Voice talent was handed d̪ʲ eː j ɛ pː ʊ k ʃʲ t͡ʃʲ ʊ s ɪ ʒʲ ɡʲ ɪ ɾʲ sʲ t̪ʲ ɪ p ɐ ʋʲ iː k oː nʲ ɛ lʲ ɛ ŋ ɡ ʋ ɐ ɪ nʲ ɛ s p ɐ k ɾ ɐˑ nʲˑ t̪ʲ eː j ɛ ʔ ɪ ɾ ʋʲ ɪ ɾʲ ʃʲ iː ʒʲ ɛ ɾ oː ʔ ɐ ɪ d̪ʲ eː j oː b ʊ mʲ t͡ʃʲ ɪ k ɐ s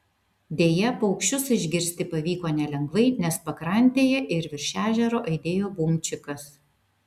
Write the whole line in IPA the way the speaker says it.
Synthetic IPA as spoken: d̪ʲ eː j ɛ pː ʊ k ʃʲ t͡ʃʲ ʊ s ɪ ʒʲ ɡʲ ɪ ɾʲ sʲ t̪ʲ ɪ p ɐ ʋʲ iː k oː nʲ ɛ lʲ ɛ ŋ ɡ ʋ ɐ ɪ nʲ ɛ s p ɐ k ɾ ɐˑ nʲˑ t̪ʲ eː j ɛ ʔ ɪ ɾ ʋʲ ɪ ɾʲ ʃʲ æː ʒʲ ɛ ɾ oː ʔ ɐ ɪ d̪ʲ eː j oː b ʊ mʲ t͡ʃʲ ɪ k ɐ s